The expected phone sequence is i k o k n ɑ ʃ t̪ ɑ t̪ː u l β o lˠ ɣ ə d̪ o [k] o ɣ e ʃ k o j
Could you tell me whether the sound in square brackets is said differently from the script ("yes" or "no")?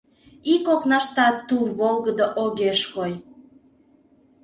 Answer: yes